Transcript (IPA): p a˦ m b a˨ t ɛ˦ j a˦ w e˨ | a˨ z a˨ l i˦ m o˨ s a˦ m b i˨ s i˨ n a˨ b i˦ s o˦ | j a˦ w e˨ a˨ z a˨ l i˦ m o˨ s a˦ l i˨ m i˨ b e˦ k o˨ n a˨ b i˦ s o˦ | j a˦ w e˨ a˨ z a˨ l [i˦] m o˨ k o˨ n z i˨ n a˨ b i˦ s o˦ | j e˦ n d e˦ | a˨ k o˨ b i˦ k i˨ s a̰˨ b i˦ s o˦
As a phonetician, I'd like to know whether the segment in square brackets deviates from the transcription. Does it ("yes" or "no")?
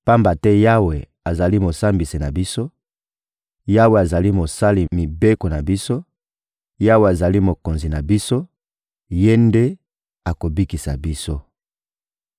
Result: no